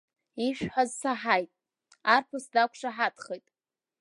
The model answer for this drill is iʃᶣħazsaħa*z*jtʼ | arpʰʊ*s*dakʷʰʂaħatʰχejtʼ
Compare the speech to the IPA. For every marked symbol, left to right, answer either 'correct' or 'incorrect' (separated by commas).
incorrect, correct